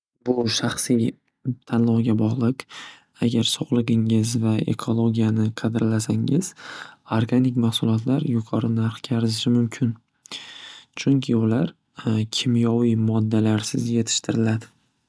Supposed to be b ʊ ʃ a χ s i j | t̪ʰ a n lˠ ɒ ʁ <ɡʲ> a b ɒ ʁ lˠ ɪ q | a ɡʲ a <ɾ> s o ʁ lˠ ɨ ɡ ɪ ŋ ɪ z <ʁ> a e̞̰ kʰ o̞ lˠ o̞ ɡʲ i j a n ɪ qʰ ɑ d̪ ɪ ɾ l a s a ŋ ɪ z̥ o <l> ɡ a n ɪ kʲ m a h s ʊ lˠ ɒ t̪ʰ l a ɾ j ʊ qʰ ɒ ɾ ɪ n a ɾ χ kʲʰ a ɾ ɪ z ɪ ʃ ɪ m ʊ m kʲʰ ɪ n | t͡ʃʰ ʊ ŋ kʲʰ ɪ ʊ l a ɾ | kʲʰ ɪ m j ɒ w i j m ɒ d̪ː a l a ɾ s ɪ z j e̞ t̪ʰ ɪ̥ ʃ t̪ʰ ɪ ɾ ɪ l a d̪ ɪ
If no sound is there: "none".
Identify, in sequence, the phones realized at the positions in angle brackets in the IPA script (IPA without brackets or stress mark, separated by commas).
ɡʲ, ɾ, v, ɾ